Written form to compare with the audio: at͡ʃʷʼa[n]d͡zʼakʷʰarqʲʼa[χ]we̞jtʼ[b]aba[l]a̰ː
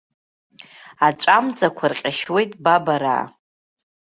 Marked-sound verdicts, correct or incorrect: incorrect, incorrect, correct, incorrect

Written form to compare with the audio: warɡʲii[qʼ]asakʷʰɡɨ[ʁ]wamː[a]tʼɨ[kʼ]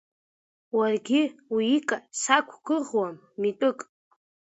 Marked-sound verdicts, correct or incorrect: incorrect, correct, incorrect, correct

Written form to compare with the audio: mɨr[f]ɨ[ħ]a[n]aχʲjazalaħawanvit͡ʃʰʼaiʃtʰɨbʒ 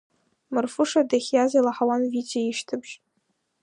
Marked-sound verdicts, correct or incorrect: correct, incorrect, incorrect

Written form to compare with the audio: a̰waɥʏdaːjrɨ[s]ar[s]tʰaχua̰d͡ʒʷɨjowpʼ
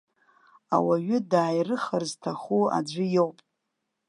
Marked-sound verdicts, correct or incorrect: incorrect, incorrect

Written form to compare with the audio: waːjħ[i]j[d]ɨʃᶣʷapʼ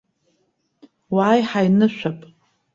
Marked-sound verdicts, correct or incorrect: incorrect, incorrect

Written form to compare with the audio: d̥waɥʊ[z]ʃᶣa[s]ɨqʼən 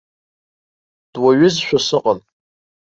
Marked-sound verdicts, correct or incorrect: correct, correct

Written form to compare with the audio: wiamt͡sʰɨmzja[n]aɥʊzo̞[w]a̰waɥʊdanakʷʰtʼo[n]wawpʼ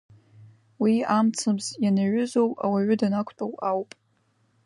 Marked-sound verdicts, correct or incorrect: correct, correct, incorrect

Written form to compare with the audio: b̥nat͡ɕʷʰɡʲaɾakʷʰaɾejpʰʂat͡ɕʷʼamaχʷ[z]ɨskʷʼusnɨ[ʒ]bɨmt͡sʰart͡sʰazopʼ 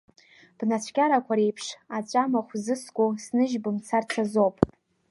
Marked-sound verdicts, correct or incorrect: correct, correct

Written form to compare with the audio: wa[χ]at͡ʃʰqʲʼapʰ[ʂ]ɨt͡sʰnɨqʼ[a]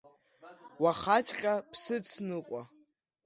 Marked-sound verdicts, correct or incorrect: correct, incorrect, correct

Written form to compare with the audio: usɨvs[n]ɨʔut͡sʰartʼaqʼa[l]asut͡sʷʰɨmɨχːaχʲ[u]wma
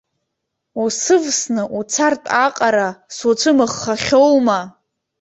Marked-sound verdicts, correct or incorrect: correct, incorrect, incorrect

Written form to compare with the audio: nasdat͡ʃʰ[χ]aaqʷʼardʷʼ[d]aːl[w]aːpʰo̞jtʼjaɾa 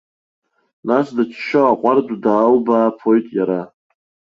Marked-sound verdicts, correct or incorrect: incorrect, correct, incorrect

